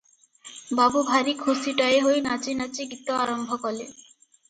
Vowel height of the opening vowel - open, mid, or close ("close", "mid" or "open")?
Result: open